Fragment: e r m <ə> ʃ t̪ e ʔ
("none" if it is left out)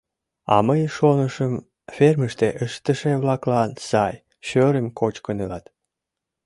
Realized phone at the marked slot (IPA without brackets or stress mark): ə